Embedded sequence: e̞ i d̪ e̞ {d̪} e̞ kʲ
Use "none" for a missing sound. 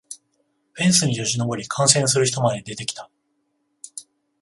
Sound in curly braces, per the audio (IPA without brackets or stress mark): t̪